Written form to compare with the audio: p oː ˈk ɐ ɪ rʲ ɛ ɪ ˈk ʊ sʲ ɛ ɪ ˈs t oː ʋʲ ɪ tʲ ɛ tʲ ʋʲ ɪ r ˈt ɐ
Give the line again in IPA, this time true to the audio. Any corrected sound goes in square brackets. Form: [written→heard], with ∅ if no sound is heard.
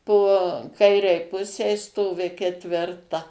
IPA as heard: p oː ˈk ɐ ɪ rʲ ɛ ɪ [ˈk→ˈp] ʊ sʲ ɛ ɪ ˈs t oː ʋʲ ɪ [tʲ→kʲ] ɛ tʲ ʋʲ ɪ r ˈt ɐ